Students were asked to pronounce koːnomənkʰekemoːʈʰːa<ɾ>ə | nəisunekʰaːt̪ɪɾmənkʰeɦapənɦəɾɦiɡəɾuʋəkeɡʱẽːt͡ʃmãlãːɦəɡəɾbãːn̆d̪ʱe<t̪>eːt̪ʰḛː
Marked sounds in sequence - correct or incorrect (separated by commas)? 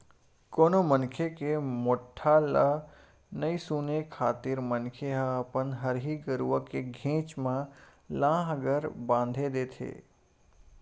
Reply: incorrect, incorrect